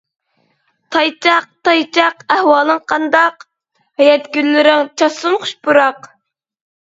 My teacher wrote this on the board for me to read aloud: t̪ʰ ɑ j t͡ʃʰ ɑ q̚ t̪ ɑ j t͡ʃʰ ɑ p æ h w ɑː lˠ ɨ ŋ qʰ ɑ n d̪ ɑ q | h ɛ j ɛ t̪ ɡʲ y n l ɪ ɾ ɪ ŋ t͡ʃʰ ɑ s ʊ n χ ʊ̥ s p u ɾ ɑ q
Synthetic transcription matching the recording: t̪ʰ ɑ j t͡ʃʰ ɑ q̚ t̪ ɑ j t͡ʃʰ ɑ q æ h w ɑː lˠ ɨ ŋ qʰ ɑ n d̪ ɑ q | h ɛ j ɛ t̪ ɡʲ y n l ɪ ɾ ɪ ŋ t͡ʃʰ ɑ s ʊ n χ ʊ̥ ʃ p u ɾ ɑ q